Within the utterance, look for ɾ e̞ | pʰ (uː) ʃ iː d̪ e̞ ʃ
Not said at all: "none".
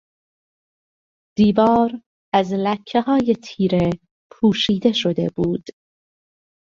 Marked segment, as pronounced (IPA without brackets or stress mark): uː